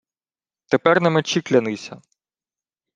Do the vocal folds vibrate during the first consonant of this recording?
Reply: no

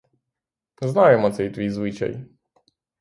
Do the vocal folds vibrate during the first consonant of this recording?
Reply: yes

